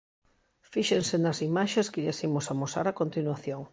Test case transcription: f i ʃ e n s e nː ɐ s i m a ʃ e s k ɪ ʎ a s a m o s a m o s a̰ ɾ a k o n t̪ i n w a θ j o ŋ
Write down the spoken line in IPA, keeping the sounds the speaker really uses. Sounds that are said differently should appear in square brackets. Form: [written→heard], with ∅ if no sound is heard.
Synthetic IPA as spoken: f i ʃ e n s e [nː→n] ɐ s i m a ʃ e s k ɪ ʎ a s [a→i] m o s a m o s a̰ ɾ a k o n t̪ i n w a θ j o ŋ